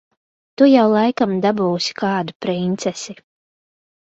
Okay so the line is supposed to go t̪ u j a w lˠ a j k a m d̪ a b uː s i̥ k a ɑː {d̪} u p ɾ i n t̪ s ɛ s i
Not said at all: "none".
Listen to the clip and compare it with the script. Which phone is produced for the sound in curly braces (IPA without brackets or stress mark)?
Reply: d̪